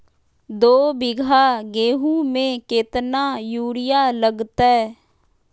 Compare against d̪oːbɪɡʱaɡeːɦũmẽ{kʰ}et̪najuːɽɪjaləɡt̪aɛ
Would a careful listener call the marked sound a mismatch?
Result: yes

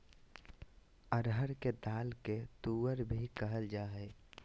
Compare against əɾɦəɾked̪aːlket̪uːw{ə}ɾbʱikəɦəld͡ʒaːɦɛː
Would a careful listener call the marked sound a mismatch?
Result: no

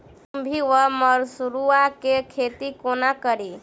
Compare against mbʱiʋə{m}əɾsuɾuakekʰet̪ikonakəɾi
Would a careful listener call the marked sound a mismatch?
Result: no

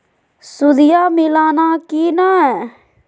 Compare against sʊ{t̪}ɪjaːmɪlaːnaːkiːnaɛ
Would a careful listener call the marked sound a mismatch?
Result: yes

